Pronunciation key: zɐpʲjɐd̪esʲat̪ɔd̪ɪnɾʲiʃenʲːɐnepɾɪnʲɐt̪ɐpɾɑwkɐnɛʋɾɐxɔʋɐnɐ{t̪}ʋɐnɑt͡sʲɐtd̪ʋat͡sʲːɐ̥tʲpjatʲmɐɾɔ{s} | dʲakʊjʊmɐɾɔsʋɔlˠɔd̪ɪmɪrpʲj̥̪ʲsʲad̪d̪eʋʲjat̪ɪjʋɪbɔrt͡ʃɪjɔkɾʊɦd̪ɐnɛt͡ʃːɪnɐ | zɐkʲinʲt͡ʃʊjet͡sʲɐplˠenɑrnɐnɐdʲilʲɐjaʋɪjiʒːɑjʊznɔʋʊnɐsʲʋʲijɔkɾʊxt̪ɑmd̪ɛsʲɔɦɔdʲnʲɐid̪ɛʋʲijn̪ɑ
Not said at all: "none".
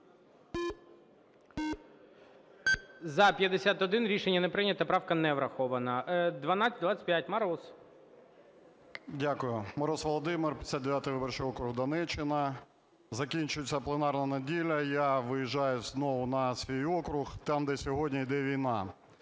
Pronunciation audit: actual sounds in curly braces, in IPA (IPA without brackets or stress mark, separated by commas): d̪, s